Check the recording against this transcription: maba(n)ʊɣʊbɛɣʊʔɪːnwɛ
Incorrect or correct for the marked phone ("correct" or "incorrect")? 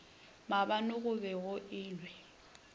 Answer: correct